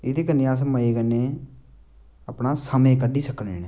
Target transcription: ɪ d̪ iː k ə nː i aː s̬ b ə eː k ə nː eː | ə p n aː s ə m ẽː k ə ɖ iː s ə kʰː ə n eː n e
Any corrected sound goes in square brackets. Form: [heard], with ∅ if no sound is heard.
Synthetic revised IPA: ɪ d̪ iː k ə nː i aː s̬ [m] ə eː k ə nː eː | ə p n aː s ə m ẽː k ə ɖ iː s ə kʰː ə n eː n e